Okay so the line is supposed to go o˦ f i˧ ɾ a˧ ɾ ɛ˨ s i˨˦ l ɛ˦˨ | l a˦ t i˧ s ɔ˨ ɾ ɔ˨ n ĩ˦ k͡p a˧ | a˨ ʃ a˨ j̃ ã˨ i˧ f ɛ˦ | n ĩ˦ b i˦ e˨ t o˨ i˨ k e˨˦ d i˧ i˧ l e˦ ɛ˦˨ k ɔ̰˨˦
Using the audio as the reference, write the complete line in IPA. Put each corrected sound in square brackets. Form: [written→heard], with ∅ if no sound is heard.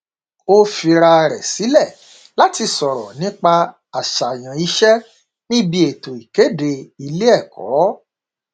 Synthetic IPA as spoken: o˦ f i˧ ɾ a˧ ɾ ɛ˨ s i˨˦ l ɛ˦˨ | l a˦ t i˧ s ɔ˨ ɾ ɔ˨ n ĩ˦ k͡p a˧ | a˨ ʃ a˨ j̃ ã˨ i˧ [f→ʃ] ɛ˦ | n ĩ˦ b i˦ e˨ t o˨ i˨ k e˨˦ d [i˧→e˧] i˧ l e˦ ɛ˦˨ k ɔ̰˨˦